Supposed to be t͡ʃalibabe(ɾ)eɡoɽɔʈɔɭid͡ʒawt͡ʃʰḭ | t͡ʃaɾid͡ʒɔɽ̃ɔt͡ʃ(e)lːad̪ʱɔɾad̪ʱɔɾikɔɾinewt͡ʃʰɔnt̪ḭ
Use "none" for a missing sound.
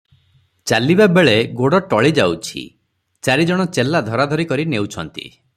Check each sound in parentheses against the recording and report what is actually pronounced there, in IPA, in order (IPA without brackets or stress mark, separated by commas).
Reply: ɭ, e